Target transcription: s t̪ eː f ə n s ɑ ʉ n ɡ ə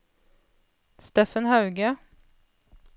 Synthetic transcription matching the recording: s t̪ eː f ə n h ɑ ʉ ɡ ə